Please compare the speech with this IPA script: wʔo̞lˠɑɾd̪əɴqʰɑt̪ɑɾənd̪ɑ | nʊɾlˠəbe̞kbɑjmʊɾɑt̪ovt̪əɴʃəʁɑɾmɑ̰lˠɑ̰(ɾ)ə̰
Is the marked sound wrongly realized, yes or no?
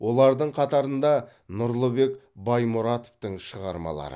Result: no